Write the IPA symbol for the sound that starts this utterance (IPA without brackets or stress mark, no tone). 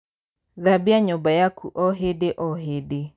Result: ð